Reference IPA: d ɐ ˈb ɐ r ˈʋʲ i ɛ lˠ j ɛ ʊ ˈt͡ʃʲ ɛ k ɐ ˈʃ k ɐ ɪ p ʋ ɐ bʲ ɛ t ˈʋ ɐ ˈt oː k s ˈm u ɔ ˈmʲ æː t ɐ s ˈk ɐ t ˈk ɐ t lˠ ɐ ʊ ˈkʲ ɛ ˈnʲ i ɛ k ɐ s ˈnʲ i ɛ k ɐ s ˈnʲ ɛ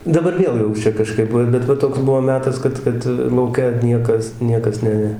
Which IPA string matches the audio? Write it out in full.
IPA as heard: d ɐ ˈb ɐ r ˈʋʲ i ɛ lˠ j ɛ ʊ ˈt͡ʃʲ ɛ k ɐ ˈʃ k ɐ ɪ p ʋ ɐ bʲ ɛ t ˈʋ ɐ ˈt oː k s ˈb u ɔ ˈmʲ æː t ɐ s ˈk ɐ t ˈk ɐ t lˠ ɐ ʊ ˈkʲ ɛ ˈnʲ i ɛ k ɐ s ˈnʲ i ɛ k ɐ s ˈnʲ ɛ